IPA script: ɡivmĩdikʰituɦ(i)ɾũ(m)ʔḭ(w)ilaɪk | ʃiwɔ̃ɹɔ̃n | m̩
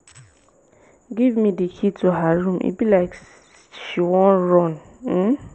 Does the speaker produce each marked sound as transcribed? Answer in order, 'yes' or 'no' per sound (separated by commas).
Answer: no, yes, no